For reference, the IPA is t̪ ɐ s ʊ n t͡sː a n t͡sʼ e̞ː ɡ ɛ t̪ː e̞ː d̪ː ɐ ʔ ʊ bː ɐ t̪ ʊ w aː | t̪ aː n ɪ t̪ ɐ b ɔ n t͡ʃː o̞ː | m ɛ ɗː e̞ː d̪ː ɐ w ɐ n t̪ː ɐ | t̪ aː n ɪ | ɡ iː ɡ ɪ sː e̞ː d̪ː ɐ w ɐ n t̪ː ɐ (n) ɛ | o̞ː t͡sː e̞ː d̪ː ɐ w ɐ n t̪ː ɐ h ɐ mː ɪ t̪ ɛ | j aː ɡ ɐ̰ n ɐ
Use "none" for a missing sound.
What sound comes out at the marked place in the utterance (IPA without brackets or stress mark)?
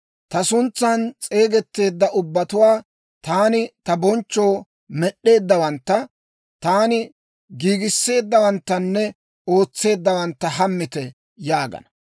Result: nː